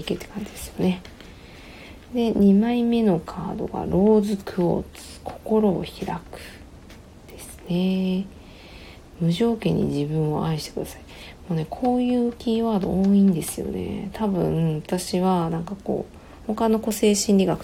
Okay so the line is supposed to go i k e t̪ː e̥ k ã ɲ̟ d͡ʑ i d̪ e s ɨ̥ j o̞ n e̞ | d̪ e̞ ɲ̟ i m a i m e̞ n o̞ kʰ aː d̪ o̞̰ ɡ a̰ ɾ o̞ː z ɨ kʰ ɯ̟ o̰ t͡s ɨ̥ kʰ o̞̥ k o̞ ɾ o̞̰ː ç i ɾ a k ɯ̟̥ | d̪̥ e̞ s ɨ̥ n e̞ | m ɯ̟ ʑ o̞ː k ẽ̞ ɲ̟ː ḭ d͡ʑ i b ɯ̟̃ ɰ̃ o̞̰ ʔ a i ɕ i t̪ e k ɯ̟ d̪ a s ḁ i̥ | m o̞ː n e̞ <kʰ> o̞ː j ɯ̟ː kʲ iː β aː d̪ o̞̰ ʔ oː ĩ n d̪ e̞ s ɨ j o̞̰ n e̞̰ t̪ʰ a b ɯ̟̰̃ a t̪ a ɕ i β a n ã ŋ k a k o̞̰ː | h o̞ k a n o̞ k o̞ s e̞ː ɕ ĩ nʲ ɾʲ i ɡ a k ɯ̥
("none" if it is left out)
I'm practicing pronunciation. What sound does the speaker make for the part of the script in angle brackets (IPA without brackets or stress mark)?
kʰ